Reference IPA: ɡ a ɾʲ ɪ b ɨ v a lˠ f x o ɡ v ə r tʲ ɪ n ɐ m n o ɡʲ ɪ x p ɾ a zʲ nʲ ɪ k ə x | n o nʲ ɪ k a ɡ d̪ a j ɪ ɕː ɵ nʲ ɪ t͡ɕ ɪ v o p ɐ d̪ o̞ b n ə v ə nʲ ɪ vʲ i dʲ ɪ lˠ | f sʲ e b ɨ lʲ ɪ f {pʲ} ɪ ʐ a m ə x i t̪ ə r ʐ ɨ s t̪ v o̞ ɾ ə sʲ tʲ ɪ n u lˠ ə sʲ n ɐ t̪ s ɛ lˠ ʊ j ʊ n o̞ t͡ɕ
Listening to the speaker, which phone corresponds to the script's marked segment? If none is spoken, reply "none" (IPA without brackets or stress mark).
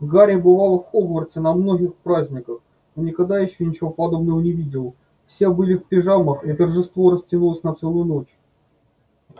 pʲ